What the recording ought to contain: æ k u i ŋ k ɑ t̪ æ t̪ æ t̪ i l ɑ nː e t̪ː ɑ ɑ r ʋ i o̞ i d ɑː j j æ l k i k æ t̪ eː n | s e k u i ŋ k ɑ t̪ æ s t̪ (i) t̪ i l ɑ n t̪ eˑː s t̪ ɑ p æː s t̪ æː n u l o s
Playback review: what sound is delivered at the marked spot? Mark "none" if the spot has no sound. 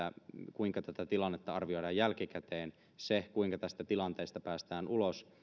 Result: æ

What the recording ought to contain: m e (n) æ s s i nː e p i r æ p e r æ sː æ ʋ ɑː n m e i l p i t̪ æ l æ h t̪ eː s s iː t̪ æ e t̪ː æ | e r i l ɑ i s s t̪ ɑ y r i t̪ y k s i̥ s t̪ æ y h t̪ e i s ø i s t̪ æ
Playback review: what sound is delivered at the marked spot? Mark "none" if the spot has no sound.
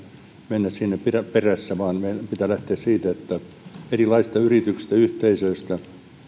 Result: nː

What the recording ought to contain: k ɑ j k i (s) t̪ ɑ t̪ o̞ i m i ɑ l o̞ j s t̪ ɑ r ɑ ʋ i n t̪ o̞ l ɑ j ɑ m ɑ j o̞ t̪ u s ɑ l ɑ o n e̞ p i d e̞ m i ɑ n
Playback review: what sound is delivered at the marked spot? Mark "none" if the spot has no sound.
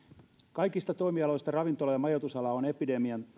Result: s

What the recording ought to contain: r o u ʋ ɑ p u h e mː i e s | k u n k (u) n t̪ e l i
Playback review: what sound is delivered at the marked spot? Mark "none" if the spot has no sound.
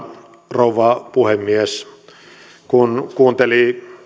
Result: uː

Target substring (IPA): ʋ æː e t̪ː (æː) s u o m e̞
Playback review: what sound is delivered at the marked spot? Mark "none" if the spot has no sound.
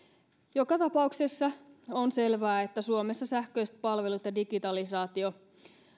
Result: æ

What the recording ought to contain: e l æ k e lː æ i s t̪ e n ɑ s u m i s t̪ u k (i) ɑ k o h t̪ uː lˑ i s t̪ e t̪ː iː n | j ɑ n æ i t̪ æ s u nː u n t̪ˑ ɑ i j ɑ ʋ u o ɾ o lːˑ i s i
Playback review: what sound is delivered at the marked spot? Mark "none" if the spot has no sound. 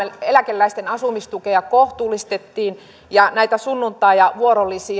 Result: e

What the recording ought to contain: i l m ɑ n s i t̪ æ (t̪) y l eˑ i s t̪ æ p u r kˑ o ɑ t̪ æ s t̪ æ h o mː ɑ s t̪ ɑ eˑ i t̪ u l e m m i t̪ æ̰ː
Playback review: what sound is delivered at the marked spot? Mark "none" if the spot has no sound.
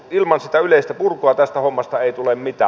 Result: none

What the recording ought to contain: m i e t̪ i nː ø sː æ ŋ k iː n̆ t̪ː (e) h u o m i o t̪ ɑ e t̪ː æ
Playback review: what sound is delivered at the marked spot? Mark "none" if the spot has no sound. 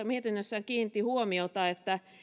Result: i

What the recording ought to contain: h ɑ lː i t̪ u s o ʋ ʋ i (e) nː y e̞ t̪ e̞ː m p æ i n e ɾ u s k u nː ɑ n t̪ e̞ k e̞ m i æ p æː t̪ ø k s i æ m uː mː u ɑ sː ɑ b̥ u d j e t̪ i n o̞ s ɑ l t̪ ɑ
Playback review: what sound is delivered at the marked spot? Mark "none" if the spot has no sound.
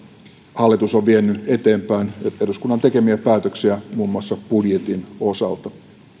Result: e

